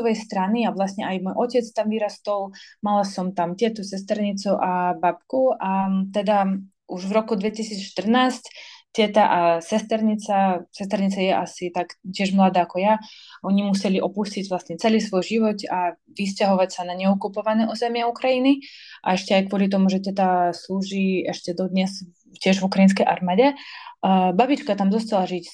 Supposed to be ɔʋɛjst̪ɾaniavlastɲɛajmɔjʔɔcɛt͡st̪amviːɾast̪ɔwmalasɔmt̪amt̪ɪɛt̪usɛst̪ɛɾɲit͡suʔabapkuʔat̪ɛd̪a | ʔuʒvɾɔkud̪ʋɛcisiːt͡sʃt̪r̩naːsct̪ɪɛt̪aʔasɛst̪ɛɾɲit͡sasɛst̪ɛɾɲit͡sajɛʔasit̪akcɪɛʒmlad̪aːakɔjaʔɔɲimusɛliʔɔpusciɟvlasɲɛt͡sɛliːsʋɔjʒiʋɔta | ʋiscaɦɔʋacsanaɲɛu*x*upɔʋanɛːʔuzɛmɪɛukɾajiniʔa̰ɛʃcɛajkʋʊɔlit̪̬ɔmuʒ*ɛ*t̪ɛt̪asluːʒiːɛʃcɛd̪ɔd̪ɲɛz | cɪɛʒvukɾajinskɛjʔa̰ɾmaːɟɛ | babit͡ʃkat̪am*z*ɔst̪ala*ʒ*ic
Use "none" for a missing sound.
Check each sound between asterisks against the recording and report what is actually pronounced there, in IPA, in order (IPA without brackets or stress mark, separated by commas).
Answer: k, ɛ, z, ʒ